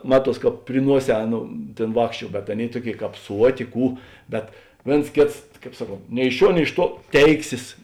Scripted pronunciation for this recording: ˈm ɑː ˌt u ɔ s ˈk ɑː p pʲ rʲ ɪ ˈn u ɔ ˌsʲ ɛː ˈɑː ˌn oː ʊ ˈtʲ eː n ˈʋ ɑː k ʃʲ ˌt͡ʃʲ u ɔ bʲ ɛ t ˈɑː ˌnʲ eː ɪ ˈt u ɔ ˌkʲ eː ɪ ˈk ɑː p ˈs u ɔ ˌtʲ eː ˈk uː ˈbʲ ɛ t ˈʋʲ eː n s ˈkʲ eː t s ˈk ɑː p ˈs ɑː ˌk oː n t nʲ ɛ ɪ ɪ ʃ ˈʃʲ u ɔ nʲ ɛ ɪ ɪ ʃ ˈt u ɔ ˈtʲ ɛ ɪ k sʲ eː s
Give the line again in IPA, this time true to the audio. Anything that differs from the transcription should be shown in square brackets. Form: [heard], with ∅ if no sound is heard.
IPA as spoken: ˈm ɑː ˌt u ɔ s ˈk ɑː p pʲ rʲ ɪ ˈn u ɔ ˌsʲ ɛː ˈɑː ˌn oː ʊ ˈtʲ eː n ˈʋ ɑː k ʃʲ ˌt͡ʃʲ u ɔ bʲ ɛ t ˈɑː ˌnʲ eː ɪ ˈt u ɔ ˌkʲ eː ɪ ˈk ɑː p ˈs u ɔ ˌtʲ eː ˈk uː ˈbʲ ɛ t ˈʋʲ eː n s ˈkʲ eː t s ˈk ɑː p ˈs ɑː ˌk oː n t nʲ ɛ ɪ ɪ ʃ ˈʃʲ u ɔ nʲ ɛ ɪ ɪ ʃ ˈt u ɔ ˈtʲ ɛ ɪ k sʲ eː s